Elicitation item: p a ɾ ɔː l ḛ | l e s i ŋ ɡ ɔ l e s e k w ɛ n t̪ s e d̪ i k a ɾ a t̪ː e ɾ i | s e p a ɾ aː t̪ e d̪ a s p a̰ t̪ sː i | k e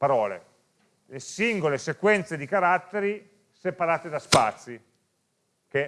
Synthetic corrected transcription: p a ɾ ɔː l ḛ | l e s i ŋ ɡ o l e s e k w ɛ n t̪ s e d̪ i k a ɾ a t̪ː e ɾ i | s e p a ɾ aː t̪ e d̪ a s p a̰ t̪ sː i | k e